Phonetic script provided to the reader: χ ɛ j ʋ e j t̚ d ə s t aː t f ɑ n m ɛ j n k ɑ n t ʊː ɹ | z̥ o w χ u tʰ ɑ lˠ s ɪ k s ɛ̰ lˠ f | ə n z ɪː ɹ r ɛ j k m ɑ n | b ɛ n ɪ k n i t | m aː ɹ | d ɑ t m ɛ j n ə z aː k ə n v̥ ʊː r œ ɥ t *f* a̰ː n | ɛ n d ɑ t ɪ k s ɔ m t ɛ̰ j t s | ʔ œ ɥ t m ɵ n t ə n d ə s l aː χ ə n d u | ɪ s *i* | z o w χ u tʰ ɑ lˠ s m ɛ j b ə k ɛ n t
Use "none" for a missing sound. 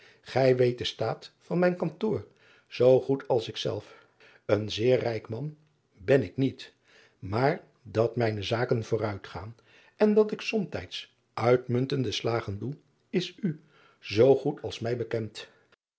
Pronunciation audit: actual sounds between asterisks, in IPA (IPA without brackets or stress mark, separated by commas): χ, y